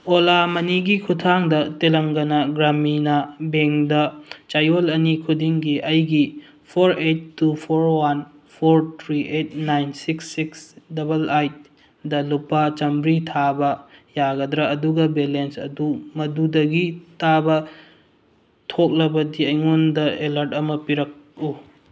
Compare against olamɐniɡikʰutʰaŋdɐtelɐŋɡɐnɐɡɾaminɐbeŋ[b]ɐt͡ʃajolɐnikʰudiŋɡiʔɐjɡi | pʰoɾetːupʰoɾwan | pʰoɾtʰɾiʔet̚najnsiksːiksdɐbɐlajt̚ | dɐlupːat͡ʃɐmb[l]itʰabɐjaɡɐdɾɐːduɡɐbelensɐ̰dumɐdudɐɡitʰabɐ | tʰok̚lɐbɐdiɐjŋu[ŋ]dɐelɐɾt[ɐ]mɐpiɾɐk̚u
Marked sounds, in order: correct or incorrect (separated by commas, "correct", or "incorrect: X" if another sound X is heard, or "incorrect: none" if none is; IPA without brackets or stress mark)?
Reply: incorrect: d, incorrect: ɾ, incorrect: n, correct